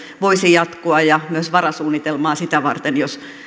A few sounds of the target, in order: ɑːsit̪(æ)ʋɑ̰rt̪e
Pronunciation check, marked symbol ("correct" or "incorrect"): correct